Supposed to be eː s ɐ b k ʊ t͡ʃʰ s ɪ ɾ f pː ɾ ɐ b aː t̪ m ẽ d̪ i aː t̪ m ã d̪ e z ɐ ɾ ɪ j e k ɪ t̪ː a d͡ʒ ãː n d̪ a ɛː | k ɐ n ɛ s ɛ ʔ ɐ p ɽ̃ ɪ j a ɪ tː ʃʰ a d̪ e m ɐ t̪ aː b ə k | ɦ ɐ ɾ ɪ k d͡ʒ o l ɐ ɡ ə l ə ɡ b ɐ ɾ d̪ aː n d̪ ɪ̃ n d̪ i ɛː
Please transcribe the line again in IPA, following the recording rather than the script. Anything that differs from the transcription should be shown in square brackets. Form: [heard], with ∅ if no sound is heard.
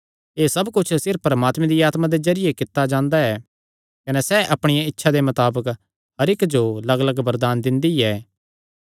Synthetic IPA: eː s ɐ b k ʊ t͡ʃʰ s ɪ ɾ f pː ɾ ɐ [m] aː t̪ m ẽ d̪ i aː t̪ m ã d̪ e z ɐ ɾ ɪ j e k ɪ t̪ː a d͡ʒ ãː n d̪ a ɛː | k ɐ n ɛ s ɛ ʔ ɐ p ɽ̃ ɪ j a ɪ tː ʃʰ a d̪ e m ɐ t̪ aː b ə k | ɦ ɐ ɾ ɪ k d͡ʒ o l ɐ ɡ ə l ə ɡ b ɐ ɾ d̪ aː n d̪ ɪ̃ n d̪ i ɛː